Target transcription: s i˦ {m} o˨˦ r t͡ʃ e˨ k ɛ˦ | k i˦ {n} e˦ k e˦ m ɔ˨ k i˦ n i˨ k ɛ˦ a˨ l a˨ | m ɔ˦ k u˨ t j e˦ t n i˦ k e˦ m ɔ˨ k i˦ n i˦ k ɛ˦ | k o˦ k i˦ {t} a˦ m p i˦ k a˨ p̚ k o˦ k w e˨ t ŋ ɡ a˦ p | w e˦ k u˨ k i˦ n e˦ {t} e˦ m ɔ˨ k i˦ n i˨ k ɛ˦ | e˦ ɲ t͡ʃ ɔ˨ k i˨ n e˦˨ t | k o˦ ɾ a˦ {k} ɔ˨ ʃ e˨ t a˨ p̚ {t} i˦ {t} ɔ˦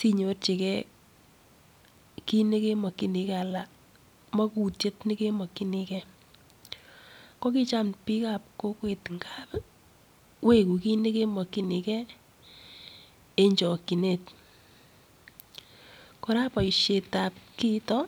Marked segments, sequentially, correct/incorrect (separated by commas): incorrect, correct, incorrect, incorrect, incorrect, incorrect, correct